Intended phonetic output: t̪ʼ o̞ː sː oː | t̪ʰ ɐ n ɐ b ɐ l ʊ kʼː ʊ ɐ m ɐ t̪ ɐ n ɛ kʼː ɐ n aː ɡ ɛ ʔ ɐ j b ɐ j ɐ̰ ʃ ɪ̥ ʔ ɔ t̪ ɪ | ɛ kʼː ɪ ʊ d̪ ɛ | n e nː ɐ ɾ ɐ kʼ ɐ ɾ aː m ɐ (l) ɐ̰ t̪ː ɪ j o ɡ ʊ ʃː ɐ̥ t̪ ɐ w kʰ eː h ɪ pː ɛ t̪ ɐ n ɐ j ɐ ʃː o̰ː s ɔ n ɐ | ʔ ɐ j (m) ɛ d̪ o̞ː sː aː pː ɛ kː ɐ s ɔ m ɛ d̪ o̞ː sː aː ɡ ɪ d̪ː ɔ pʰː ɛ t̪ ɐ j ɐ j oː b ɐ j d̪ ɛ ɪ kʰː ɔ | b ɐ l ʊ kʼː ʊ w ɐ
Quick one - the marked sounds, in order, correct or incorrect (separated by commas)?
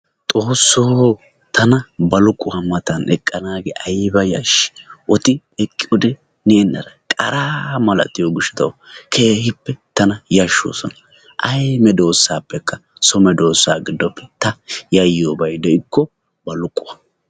correct, correct